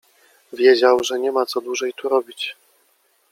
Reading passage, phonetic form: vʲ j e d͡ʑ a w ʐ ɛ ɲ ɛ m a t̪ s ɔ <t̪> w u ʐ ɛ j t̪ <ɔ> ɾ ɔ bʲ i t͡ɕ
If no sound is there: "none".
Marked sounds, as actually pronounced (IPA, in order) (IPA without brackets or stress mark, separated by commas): d̪, u